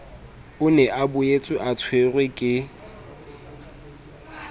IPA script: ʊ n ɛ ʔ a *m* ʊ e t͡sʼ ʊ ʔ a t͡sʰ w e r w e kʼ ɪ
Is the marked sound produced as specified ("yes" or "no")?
no